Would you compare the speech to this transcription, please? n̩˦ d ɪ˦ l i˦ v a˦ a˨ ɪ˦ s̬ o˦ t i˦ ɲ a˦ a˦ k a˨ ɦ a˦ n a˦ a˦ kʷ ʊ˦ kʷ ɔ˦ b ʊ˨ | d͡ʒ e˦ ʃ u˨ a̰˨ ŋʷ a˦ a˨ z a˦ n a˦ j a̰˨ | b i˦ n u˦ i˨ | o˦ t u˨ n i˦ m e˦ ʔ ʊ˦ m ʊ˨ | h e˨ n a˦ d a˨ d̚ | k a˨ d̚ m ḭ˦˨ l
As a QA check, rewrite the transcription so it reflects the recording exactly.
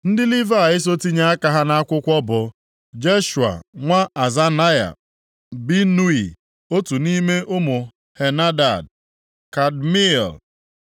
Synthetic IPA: n̩˦ d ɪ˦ l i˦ v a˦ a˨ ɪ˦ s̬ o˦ t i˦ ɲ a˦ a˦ k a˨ ɦ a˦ n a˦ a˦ kʷ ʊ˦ kʷ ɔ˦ b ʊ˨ | d͡ʒ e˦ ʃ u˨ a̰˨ ŋʷ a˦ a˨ z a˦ n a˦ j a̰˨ | b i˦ n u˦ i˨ | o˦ t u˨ n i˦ m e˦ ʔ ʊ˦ m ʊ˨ | h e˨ n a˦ d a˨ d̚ | k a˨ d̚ m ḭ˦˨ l